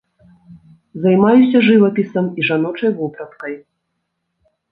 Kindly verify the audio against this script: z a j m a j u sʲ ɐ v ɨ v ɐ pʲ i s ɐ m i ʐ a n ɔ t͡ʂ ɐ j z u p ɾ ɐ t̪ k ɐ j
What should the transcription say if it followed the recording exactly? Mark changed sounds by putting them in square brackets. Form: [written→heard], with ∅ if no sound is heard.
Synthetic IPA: z a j m a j u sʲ ɐ [v→ʐ] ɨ v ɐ pʲ i s ɐ m i ʐ a n ɔ t͡ʂ ɐ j [z→v] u p ɾ ɐ t̪ k ɐ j